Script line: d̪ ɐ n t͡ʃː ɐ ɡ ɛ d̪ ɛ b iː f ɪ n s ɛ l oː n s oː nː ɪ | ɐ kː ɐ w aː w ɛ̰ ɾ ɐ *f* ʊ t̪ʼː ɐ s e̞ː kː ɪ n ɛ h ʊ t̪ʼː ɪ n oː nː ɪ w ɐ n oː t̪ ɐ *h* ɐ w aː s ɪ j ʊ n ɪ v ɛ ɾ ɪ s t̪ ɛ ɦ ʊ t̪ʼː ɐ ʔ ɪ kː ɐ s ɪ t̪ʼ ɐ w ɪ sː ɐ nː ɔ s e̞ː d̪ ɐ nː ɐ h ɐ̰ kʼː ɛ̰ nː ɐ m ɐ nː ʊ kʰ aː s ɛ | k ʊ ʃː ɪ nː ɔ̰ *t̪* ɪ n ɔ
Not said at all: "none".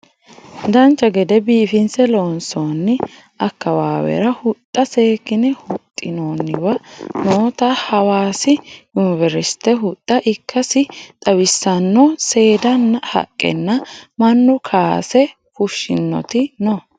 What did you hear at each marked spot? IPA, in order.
h, h, t̪

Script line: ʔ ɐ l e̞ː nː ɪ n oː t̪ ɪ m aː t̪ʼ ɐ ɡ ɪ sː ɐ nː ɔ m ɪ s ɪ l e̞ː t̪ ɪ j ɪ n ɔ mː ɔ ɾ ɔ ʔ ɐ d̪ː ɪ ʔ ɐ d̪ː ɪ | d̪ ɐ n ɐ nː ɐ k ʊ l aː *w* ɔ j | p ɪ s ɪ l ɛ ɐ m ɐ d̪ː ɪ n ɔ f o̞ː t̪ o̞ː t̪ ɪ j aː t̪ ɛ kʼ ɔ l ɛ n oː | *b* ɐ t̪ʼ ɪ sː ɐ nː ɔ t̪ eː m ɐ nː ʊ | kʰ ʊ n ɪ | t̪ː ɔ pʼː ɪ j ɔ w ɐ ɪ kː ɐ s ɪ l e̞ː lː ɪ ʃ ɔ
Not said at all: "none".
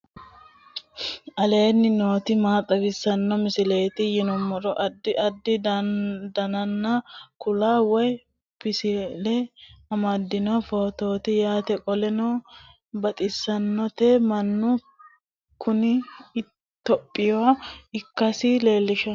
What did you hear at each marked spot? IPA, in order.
w, b

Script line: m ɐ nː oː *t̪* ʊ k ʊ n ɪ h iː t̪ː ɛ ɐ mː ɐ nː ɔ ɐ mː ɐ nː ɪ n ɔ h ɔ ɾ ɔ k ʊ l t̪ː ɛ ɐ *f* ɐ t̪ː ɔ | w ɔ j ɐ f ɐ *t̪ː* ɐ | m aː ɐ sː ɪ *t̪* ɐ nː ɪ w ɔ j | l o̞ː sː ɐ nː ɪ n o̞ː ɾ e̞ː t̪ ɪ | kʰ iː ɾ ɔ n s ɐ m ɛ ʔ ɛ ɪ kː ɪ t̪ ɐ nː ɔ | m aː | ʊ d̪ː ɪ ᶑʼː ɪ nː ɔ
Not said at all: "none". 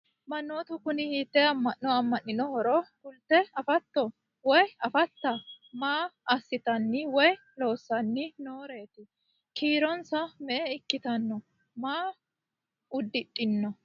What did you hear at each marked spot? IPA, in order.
t̪, f, t̪ː, t̪

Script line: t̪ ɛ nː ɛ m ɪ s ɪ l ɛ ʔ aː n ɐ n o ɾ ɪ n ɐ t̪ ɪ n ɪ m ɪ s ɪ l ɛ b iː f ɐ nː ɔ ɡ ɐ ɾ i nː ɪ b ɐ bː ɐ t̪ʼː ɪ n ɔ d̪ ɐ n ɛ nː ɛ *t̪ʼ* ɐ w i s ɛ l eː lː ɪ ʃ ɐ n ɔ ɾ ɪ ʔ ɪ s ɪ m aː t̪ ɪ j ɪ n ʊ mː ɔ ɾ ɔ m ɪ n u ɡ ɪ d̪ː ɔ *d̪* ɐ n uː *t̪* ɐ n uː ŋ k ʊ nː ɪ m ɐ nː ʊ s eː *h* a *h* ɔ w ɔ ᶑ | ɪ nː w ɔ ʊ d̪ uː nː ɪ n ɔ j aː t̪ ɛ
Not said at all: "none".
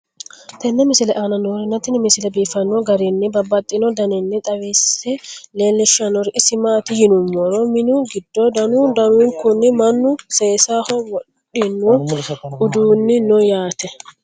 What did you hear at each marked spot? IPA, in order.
t̪ʼ, d̪, d̪, s, h

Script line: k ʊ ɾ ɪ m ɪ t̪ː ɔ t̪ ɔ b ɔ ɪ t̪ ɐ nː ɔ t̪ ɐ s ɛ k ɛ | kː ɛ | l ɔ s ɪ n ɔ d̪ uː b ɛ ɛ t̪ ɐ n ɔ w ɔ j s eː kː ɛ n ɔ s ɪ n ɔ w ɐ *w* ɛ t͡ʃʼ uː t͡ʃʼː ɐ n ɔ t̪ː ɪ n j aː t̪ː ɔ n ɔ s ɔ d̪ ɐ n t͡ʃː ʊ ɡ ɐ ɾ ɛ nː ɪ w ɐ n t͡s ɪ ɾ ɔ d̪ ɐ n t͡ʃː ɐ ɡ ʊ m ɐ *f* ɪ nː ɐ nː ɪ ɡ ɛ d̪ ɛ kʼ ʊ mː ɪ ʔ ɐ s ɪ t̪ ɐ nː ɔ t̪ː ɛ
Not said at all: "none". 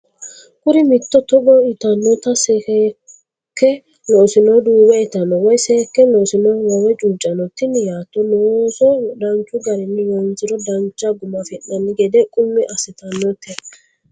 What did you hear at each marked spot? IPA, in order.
w, f

